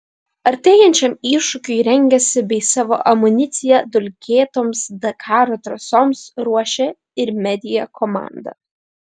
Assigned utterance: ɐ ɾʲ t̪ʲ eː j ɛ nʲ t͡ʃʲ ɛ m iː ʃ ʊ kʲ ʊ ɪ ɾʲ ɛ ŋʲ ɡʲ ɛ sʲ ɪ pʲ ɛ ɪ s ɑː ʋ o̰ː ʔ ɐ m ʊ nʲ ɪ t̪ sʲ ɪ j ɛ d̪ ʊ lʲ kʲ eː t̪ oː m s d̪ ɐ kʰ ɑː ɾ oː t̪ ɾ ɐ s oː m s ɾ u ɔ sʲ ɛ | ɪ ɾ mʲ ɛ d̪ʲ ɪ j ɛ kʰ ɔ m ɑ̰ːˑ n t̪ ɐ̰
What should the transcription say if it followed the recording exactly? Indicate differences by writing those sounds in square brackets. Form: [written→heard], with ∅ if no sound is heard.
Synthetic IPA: ɐ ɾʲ t̪ʲ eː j ɛ nʲ t͡ʃʲ ɛ m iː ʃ ʊ kʲ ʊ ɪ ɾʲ ɛ ŋʲ ɡʲ ɛ sʲ ɪ [pʲ→bʲ] ɛ ɪ s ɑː ʋ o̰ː ʔ ɐ m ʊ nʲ ɪ t̪ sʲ ɪ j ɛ d̪ ʊ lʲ kʲ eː t̪ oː m s d̪ ɐ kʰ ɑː ɾ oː t̪ ɾ ɐ s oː m s ɾ u ɔ [sʲ→ʃʲ] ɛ | ɪ ɾ mʲ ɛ d̪ʲ ɪ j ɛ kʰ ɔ m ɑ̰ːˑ n [t̪→d̪] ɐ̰